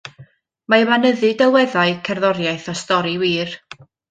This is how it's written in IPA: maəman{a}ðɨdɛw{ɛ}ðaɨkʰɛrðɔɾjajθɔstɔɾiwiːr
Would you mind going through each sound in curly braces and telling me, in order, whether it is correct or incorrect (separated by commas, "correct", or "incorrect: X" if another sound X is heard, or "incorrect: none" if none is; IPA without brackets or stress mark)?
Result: incorrect: ə, correct